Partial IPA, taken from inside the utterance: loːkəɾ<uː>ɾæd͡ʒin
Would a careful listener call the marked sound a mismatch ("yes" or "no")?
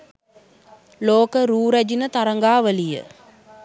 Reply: no